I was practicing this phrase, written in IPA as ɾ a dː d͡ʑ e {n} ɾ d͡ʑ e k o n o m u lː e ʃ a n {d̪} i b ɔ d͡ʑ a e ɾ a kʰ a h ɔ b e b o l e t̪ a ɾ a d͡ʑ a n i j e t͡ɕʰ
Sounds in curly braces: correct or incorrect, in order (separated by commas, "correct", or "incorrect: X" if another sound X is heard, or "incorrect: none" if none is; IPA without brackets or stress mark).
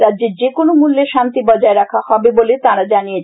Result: incorrect: none, incorrect: t̪